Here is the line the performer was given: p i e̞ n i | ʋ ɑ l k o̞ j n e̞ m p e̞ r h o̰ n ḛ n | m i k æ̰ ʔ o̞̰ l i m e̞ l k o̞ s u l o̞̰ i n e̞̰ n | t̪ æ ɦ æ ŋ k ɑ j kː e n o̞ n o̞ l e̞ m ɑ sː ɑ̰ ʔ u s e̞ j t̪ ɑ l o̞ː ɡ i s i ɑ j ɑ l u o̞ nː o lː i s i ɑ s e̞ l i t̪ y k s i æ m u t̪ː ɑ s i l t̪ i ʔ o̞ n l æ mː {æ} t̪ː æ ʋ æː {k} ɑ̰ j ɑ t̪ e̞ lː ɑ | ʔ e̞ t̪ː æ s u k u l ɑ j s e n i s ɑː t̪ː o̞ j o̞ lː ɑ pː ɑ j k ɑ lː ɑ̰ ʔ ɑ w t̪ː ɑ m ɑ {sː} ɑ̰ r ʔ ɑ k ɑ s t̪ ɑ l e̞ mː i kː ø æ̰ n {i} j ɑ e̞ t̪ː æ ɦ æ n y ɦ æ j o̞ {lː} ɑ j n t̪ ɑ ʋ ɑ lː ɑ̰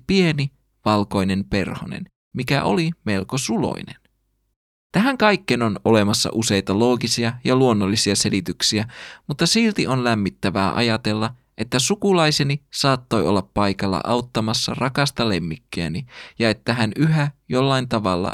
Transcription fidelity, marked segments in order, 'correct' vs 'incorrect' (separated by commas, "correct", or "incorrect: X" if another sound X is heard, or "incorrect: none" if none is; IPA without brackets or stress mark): incorrect: i, incorrect: ʔ, correct, correct, correct